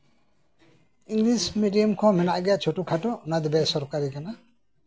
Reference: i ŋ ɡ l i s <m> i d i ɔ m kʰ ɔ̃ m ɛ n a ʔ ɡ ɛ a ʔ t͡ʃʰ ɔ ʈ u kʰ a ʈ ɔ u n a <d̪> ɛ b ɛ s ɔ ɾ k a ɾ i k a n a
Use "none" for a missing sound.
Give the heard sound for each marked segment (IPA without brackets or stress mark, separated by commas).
m, d̪